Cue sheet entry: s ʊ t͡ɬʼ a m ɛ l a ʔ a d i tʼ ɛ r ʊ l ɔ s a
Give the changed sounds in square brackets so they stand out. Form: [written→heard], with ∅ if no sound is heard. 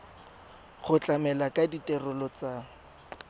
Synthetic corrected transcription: [s→χ] ʊ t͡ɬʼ a m ɛ l a [ʔ→k] a d i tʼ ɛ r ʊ l ɔ [s→t͡s] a

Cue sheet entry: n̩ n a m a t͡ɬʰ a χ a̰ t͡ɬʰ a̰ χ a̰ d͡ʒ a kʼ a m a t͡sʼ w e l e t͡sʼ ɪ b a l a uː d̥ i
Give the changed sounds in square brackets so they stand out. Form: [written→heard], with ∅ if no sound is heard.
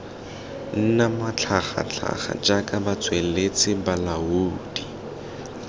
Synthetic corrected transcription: n̩ n a m a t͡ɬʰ a χ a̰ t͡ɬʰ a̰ χ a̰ d͡ʒ a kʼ a [m→b] a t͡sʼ w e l e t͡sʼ ɪ b a l a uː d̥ i

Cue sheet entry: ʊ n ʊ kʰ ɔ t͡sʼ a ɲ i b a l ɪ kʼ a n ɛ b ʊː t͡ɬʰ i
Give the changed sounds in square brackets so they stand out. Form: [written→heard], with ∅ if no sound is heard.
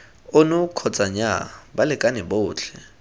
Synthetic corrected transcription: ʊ n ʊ kʰ ɔ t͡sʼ a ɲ [i→a] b a l ɪ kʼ a n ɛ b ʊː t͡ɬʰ [i→ɛ]

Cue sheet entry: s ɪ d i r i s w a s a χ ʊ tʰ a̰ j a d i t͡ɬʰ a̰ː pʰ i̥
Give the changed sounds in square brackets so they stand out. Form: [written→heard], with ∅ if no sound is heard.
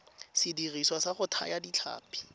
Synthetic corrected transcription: s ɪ d i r i s w a s a χ ʊ tʰ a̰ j a d i t͡ɬʰ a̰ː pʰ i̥

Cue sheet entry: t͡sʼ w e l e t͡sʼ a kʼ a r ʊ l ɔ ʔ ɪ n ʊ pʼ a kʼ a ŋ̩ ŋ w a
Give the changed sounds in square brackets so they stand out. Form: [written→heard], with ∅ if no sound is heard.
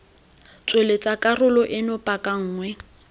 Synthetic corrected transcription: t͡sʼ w e l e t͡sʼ a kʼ a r ʊ l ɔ ʔ ɪ n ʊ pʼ a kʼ a [ŋ̩→ŋ̩ː] ŋ w [a→ɛ]

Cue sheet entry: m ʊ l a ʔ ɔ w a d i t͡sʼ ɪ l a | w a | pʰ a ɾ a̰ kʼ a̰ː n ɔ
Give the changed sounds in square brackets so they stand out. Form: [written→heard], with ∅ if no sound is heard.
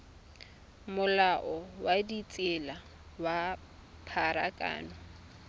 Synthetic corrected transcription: m ʊ l a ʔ ɔ w a d i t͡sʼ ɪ l a | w a | pʰ a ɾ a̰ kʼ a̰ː n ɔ

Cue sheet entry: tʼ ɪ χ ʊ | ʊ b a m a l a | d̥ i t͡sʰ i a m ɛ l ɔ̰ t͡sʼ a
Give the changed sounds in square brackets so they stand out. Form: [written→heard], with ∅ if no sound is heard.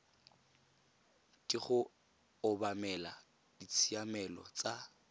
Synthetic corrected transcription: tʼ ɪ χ ʊ | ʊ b a m [a→ɛ] l a | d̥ i t͡sʰ i a m ɛ l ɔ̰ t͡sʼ a

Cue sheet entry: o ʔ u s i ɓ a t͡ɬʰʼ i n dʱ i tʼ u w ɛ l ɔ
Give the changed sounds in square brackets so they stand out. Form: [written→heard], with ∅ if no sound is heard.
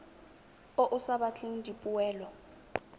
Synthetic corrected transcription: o ʔ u s [i→a] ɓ a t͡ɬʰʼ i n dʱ i [tʼ→pʼ] u w [ɛ→ɛː] l ɔ

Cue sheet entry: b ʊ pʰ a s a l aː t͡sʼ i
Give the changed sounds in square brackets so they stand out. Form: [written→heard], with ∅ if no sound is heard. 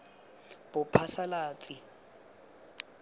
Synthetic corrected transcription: b ʊ pʰ a s a l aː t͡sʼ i

